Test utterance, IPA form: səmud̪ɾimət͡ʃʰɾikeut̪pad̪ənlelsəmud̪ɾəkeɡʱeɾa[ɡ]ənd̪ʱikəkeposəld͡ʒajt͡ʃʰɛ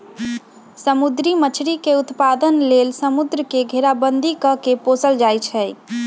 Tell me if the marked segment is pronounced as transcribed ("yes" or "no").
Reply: no